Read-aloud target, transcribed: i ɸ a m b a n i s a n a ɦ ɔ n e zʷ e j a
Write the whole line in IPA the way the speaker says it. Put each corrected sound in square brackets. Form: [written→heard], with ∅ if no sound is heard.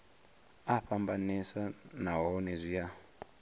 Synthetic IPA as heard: [i→a] ɸ a m b a n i s a n a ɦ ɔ n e zʷ [e→i] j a

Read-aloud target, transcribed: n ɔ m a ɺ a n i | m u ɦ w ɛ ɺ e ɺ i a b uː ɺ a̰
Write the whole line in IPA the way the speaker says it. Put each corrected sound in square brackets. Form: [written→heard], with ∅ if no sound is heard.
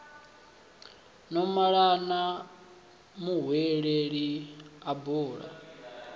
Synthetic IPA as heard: n ɔ m a ɺ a n [i→a] | m u ɦ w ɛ ɺ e ɺ i a b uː ɺ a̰

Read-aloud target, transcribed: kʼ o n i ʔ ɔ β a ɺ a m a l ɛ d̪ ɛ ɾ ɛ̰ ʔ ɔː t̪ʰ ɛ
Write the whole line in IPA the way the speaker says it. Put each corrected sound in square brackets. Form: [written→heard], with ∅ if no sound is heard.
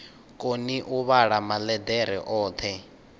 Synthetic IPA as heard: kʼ o n i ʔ [ɔ→u] β a ɺ a m a l ɛ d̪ ɛ ɾ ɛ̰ ʔ ɔː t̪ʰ ɛ

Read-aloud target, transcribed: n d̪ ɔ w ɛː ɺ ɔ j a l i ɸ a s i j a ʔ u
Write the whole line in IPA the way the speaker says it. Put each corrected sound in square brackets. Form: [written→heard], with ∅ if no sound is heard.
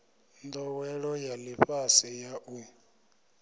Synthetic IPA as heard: n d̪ ɔ w [ɛː→ɛ] ɺ ɔ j a l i ɸ a s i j a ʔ u

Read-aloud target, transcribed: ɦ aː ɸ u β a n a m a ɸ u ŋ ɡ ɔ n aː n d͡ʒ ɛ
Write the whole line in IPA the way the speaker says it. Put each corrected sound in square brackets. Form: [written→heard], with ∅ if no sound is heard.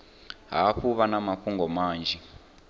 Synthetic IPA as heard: ɦ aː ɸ u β a n a m a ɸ u ŋ ɡ ɔ [n→m] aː n d͡ʒ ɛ

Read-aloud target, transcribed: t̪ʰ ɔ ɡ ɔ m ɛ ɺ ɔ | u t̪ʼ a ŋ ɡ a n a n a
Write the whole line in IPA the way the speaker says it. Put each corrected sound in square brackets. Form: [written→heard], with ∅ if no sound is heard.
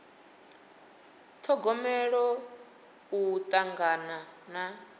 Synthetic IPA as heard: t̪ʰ ɔ ɡ ɔ m ɛ ɺ ɔ | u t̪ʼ a ŋ ɡ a n a n a

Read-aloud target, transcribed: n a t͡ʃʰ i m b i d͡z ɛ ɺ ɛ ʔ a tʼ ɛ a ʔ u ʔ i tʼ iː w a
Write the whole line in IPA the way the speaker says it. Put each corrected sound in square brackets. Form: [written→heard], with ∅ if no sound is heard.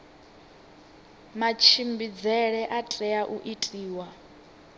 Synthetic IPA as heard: [n→m] a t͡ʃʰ i m b i d͡z ɛ ɺ ɛ ʔ a tʼ ɛ a ʔ u ʔ i tʼ iː w a

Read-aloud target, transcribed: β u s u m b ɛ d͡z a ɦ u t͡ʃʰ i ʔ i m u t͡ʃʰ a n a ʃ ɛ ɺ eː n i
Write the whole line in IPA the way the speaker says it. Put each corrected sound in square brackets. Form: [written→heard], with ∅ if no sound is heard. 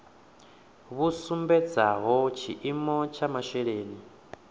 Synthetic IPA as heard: β u s u m b ɛ d͡z a ɦ [u→ɔ] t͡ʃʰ i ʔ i m [u→ɔ] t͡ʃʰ a [n→m] a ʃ ɛ ɺ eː n i

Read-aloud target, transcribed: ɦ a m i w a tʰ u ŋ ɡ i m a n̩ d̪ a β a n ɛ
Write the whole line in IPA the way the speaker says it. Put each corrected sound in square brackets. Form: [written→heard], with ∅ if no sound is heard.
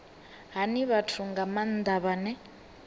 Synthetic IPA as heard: ɦ a [m→n] i [w→β] a tʰ u ŋ ɡ [i→a] m a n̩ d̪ a β a n ɛ

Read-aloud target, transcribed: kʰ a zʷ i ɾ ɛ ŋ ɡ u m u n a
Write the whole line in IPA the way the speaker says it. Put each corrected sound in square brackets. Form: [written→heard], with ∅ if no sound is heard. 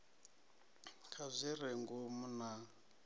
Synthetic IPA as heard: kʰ a zʷ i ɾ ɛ ŋ ɡ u m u n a

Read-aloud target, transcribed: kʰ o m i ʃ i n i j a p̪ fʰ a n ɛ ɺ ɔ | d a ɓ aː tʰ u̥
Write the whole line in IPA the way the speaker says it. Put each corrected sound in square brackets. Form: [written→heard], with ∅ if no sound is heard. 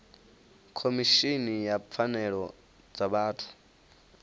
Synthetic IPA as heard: kʰ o m i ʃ i n i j a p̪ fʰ a n ɛ ɺ ɔ | [d→d͡z] a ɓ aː tʰ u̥

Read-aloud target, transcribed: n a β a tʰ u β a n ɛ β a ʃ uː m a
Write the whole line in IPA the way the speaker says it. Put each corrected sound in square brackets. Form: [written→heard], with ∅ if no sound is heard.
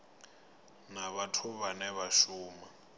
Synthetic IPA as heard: n a β a tʰ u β a n ɛ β a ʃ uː m a

